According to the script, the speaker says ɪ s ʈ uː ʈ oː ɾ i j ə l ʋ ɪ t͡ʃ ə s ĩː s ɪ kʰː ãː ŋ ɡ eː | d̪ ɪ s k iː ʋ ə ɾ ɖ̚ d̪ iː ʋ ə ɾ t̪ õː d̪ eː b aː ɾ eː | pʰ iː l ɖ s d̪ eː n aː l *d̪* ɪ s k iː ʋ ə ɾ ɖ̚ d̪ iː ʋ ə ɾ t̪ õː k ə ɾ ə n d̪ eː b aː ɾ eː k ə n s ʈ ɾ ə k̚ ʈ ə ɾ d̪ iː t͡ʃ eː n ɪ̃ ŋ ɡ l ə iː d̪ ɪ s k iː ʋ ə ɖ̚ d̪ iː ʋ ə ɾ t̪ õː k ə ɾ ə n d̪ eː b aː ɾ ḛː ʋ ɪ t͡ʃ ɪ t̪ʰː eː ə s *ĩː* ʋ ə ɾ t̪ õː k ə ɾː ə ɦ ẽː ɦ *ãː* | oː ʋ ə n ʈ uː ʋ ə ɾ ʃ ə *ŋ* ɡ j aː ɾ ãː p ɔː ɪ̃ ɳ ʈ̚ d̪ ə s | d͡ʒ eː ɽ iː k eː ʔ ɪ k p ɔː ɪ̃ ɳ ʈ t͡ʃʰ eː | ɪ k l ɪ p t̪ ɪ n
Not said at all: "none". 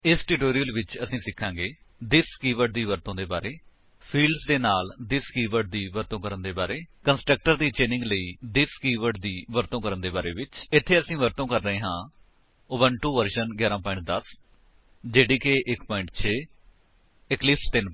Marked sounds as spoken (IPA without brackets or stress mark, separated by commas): d̪, ĩː, ãː, n